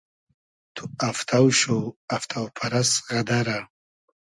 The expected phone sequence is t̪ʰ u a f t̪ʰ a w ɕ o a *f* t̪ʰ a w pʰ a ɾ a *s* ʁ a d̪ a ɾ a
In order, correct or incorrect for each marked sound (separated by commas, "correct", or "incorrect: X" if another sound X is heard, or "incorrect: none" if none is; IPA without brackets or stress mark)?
correct, correct